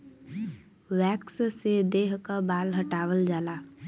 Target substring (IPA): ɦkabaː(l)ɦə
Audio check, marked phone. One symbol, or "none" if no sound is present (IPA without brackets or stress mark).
l